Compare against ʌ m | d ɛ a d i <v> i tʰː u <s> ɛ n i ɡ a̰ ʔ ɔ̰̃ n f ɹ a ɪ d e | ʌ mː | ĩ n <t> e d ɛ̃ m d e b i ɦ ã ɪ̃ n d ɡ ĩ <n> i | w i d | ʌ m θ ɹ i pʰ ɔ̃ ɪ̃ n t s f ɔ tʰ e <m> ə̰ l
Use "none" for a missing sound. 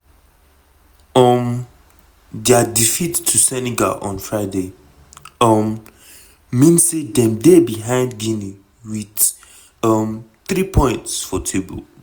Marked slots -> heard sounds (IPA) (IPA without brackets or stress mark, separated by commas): f, s, s, n, b